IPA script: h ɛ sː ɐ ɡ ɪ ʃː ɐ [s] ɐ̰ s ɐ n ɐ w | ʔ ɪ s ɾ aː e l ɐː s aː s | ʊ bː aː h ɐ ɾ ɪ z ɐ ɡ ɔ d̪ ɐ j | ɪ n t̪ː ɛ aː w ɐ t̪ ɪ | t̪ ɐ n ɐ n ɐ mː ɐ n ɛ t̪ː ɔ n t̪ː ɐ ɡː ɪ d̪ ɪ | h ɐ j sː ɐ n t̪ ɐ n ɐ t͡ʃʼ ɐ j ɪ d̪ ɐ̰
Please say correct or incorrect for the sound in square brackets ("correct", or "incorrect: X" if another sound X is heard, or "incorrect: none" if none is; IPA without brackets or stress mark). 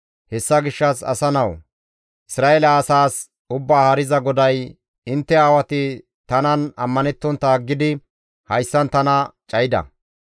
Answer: correct